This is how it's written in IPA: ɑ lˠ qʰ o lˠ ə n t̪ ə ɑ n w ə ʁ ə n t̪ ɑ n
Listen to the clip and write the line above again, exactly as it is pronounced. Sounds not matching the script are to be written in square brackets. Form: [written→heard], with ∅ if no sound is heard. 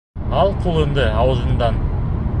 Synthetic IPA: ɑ lˠ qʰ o lˠ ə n [t̪→d̪] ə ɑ [n→∅] w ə [ʁ→z] ə n [t̪→d̪] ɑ n